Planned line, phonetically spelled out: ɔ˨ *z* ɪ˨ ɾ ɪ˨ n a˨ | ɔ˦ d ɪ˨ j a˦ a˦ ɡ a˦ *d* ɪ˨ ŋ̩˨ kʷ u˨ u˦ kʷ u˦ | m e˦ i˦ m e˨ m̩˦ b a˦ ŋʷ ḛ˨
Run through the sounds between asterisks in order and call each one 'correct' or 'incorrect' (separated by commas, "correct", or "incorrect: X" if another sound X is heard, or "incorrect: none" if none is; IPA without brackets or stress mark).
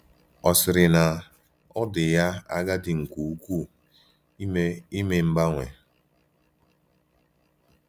incorrect: s, correct